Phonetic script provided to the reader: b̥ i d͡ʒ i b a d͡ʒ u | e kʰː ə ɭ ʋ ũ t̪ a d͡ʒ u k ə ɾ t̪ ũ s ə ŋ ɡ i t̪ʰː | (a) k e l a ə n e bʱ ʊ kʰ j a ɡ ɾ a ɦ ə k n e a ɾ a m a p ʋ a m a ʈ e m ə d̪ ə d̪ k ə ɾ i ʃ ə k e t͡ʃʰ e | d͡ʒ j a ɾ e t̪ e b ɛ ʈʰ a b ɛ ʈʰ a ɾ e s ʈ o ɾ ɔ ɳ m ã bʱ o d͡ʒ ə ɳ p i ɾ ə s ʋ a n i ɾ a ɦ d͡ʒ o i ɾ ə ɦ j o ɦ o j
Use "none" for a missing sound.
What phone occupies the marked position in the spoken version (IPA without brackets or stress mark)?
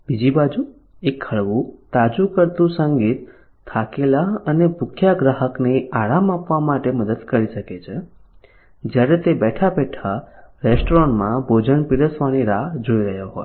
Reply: a